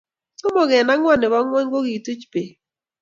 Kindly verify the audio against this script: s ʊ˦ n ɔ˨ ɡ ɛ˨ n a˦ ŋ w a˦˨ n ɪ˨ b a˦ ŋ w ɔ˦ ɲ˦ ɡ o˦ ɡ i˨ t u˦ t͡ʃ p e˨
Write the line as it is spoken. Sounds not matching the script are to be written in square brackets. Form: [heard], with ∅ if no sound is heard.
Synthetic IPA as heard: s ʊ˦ [m] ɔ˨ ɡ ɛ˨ n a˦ ŋ w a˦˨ n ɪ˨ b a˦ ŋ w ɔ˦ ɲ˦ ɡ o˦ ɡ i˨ t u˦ t͡ʃ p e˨